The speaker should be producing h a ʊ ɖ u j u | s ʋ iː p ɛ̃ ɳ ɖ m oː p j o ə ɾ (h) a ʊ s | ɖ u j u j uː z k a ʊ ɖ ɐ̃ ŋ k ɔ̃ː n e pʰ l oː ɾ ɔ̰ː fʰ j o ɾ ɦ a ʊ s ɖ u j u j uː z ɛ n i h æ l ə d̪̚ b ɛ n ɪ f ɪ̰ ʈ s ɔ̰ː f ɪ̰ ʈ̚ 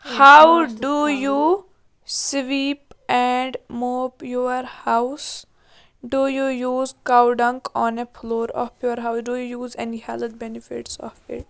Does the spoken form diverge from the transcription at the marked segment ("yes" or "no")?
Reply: no